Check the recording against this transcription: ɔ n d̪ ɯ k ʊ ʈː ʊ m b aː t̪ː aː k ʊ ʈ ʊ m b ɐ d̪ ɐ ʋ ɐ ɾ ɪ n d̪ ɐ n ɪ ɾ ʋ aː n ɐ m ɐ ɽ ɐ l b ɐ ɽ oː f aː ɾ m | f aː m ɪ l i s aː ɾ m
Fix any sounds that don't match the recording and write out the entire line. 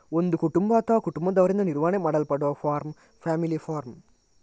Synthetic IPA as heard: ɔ n d̪ ɯ k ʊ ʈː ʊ m b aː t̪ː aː k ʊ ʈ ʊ m b ɐ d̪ ɐ ʋ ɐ ɾ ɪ n d̪ ɐ n ɪ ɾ ʋ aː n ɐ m ɐ ɽ ɐ l p ɐ ɽ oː f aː ɾ m | f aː m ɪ l i f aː ɾ m